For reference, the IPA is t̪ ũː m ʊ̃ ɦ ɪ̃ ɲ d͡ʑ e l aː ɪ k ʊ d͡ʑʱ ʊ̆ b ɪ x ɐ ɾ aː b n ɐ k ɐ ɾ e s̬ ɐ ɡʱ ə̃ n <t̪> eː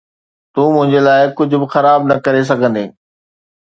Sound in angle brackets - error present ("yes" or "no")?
yes